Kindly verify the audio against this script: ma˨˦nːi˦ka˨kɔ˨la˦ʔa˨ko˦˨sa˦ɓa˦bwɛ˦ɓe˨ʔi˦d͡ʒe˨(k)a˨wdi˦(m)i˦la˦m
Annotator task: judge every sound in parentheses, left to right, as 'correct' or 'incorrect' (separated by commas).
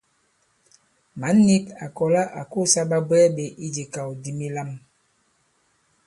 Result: correct, correct